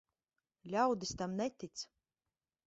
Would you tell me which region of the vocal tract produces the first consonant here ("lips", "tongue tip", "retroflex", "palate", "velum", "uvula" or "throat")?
tongue tip